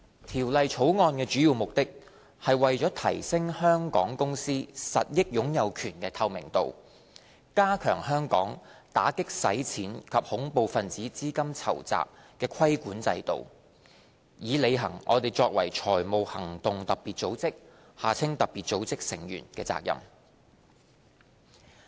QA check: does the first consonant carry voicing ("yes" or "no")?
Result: no